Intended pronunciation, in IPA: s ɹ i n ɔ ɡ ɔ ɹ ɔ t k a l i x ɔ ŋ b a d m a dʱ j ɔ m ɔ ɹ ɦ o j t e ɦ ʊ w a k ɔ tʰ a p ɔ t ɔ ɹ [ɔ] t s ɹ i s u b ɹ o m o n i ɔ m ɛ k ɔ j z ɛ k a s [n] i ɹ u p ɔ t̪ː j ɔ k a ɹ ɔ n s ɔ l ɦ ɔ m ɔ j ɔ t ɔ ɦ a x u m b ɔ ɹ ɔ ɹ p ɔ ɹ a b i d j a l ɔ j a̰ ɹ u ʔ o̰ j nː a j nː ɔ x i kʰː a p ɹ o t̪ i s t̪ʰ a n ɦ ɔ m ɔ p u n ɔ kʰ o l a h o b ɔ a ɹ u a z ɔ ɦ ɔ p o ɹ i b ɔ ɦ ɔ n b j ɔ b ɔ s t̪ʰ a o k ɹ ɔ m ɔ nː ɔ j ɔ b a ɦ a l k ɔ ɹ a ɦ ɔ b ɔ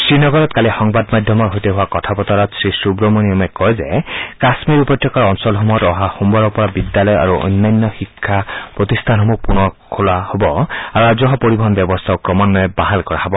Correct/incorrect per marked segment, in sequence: correct, incorrect

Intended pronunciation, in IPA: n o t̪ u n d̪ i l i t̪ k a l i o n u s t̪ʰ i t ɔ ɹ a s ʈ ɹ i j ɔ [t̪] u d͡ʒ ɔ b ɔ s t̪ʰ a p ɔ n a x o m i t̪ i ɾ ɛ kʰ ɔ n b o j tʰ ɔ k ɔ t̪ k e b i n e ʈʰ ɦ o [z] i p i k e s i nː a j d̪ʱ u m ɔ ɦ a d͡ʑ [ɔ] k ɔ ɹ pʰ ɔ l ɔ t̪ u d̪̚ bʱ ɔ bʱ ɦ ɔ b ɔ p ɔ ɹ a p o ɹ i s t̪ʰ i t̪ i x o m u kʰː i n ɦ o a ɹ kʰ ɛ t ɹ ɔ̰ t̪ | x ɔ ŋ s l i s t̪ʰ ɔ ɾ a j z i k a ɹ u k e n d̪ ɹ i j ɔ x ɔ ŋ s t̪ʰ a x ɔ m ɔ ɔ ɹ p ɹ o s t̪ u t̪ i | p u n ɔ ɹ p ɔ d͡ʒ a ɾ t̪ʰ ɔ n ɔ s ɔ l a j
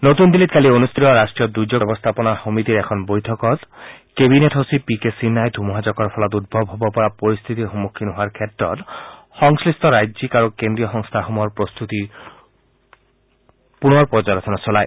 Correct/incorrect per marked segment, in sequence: incorrect, incorrect, correct

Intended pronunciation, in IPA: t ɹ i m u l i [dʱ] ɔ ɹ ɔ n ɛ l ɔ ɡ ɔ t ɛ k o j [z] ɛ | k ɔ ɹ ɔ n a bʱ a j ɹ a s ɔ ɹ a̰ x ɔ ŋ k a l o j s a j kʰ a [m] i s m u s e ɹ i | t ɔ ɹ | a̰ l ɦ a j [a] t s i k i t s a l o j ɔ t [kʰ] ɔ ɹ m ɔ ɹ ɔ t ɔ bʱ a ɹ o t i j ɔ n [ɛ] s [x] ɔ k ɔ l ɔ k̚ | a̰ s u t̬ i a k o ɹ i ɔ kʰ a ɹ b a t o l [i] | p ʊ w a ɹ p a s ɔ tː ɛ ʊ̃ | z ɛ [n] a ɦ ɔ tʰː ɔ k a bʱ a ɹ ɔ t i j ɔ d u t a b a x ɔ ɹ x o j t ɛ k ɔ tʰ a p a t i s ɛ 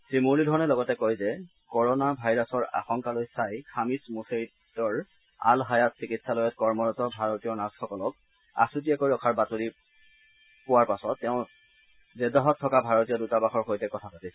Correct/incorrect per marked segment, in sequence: correct, correct, correct, correct, incorrect, incorrect, correct, correct, incorrect

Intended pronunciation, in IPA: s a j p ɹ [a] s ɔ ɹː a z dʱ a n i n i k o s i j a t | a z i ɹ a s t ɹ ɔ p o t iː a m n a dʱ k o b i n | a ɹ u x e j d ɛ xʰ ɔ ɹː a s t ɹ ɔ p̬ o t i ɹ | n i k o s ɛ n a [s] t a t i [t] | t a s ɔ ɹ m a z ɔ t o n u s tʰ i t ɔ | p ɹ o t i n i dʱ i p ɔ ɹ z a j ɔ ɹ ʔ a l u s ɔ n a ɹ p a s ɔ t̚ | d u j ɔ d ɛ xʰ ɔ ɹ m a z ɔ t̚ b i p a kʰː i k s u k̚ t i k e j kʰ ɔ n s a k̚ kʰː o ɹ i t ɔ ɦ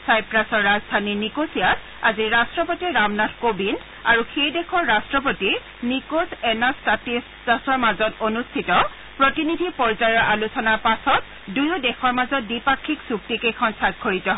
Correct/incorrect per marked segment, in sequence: correct, correct, incorrect

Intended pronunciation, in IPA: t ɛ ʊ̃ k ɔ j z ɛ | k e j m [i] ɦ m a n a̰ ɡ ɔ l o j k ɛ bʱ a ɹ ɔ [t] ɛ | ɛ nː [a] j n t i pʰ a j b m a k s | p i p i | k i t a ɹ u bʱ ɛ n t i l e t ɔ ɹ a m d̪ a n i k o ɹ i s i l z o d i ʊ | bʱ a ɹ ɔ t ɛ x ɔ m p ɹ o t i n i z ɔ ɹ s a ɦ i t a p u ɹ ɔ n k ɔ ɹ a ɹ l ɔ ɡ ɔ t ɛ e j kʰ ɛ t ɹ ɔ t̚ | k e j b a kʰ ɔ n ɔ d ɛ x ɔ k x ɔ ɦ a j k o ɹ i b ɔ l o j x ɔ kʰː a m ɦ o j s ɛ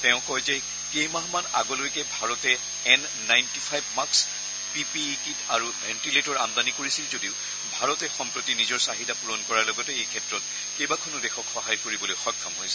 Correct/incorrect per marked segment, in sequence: incorrect, correct, correct

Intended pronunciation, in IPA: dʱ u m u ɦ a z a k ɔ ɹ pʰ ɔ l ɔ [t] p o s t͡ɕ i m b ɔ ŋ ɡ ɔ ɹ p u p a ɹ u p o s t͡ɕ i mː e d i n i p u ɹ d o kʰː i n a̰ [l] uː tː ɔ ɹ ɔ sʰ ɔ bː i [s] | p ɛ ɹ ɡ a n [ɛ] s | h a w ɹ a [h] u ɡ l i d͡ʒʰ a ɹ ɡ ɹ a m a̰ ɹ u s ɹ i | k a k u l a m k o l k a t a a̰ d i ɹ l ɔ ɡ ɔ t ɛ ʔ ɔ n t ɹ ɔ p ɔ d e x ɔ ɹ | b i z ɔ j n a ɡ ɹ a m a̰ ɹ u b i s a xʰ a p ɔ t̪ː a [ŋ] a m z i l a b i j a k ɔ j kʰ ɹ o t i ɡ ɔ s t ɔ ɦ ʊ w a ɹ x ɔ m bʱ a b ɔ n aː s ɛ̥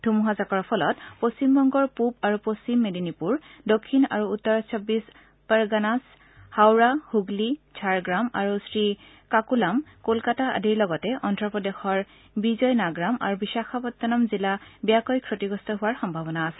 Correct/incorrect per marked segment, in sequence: correct, incorrect, correct, incorrect, correct, incorrect

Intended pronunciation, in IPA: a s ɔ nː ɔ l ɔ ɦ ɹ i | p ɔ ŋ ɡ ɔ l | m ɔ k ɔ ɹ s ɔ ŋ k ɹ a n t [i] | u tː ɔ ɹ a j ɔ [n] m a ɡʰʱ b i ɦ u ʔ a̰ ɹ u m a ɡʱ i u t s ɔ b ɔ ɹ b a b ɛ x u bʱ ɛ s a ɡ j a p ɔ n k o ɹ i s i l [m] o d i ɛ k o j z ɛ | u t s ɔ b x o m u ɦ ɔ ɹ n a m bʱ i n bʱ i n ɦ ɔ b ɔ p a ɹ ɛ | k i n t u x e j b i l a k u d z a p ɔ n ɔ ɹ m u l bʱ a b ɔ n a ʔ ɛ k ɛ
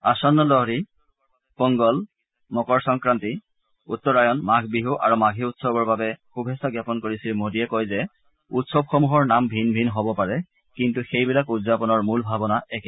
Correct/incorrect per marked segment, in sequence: correct, correct, correct

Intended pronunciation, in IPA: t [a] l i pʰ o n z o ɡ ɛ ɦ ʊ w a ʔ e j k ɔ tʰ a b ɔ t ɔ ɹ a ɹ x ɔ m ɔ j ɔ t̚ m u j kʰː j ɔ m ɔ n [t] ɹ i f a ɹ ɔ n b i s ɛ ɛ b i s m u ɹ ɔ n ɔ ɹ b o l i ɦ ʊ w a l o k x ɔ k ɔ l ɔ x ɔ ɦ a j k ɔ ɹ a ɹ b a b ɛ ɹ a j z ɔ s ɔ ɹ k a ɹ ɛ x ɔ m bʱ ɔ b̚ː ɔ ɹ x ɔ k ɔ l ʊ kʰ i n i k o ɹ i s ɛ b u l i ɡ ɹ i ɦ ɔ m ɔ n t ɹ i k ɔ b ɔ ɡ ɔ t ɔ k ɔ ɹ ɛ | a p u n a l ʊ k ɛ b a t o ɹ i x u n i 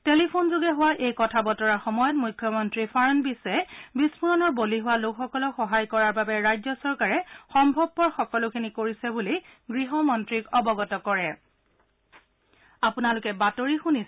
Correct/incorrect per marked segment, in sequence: incorrect, correct

